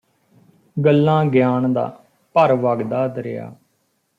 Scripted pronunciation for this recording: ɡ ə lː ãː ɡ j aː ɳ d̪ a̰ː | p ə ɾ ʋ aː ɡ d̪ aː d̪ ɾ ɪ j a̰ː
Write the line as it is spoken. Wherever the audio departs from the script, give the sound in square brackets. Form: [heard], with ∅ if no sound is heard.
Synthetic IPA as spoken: ɡ ə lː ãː ɡ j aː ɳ d̪ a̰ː | p ə ɾ ʋ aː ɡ d̪ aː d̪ ɾ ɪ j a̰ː